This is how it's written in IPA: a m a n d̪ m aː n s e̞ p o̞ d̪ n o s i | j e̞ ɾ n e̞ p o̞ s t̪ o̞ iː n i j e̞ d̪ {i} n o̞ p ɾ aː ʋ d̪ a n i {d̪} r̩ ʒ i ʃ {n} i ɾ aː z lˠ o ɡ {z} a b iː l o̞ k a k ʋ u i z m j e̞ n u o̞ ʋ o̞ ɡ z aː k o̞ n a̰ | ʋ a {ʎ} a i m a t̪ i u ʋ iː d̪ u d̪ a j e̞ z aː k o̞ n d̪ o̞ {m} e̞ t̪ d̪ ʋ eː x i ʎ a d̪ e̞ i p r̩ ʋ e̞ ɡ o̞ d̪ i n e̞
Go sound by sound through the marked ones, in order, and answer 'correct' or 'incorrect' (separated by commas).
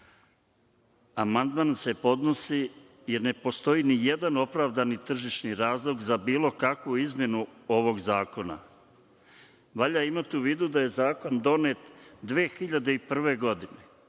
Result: incorrect, incorrect, correct, correct, correct, incorrect